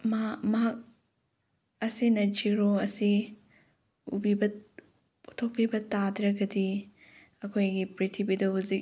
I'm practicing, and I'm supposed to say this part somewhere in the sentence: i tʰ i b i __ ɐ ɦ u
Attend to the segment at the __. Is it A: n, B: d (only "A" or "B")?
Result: B